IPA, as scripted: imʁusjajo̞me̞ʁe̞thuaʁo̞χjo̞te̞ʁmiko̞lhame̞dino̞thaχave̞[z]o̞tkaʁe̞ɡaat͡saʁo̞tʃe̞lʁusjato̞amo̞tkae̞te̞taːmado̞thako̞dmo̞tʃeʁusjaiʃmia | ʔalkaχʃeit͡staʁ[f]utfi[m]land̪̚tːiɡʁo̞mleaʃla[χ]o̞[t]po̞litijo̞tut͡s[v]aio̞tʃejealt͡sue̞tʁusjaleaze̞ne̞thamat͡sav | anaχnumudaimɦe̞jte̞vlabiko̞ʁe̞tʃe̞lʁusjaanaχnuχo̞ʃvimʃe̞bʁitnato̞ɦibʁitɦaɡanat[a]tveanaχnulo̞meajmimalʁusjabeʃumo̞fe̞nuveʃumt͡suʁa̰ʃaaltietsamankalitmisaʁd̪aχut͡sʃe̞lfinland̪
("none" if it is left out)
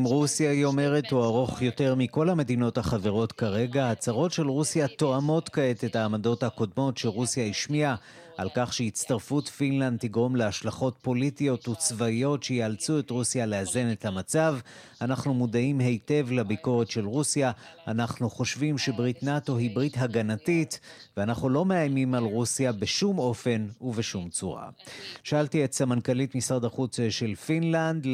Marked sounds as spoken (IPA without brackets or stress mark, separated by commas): ʁ, f, n, χ, t, v, i